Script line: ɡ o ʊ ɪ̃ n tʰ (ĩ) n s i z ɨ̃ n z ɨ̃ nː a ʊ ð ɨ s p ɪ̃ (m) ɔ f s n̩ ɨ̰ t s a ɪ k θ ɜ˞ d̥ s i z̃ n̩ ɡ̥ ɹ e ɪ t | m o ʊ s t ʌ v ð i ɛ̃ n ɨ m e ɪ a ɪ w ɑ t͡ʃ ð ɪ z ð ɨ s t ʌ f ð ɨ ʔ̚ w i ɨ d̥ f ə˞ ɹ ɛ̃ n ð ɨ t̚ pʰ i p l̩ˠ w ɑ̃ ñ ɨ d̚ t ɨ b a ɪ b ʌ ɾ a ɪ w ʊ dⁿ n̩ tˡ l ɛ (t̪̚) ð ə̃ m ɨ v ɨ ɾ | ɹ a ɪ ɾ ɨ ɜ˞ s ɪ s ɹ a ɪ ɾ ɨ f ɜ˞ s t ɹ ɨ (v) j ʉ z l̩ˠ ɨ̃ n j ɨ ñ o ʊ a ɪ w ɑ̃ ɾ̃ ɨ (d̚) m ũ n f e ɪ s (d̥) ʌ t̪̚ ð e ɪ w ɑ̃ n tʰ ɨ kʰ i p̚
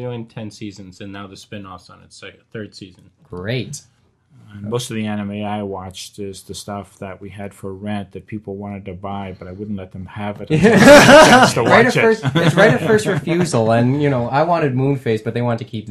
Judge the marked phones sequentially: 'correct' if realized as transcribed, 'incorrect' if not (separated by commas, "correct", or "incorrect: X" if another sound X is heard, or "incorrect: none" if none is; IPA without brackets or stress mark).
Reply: incorrect: ɛ̃, incorrect: n, correct, incorrect: f, correct, incorrect: b̥